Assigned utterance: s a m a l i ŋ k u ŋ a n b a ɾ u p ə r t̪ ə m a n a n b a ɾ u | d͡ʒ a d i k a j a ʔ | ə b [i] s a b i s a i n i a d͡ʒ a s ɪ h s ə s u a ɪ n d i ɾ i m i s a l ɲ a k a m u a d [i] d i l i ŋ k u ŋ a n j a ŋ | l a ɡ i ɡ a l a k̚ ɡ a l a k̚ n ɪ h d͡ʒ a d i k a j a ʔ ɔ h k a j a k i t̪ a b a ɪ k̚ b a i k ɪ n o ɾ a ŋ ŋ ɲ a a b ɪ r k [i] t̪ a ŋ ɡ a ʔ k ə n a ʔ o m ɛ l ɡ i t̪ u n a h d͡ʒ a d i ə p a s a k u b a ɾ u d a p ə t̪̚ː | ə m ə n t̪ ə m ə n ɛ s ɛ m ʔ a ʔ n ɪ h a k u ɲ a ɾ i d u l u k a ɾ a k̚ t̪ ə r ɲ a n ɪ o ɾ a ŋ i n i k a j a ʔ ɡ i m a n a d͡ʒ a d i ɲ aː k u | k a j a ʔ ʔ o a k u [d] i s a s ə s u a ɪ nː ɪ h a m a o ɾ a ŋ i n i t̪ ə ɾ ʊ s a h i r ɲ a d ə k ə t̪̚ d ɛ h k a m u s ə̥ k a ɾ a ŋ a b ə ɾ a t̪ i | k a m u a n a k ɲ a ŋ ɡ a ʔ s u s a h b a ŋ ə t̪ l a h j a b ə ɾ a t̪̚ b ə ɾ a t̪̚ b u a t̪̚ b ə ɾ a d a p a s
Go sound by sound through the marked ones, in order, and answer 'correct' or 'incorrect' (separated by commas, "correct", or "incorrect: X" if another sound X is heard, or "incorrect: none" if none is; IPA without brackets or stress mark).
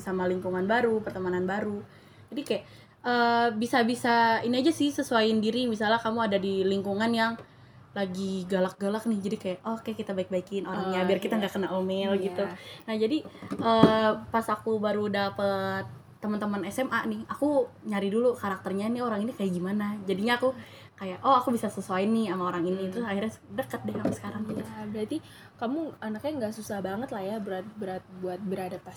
correct, incorrect: a, correct, incorrect: b